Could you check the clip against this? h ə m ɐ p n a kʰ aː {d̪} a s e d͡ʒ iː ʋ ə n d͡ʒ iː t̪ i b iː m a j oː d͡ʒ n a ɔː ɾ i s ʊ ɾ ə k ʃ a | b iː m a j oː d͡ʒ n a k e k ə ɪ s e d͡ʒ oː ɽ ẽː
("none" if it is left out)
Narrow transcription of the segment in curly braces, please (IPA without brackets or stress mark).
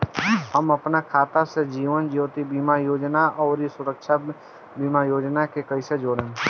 t̪